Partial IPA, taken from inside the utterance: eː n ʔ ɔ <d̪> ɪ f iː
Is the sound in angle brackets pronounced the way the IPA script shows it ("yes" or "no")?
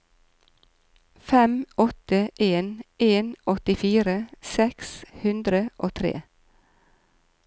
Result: no